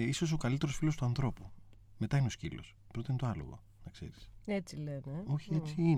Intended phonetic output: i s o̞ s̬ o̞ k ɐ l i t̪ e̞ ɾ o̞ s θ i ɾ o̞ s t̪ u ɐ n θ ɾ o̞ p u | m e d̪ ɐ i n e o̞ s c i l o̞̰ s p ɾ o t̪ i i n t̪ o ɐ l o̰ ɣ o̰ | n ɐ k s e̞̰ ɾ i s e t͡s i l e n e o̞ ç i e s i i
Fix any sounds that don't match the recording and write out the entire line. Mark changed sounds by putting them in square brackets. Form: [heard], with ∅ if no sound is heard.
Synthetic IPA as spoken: i s o̞ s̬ o̞ k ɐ l i t̪ e̞ ɾ o̞ s [f] i [l] o̞ s t̪ u ɐ n θ ɾ o̞ p u | m e [t̪] ɐ i n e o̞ s c i l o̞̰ s p ɾ o t̪ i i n t̪ o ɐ l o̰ ɣ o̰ | n ɐ k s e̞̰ ɾ i s e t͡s i l e n e o̞ ç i e [t͡s] i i